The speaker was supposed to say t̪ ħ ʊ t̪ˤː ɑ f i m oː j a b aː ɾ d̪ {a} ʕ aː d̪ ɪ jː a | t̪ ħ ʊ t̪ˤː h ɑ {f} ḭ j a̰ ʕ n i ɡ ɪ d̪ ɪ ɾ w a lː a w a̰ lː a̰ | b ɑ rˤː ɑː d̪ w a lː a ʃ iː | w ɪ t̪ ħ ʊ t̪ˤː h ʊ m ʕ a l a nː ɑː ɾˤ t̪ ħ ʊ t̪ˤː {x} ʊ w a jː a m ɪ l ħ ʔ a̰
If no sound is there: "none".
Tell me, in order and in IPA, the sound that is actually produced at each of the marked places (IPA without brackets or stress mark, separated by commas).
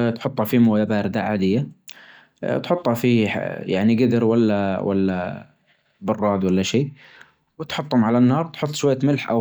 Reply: a, f, ʃ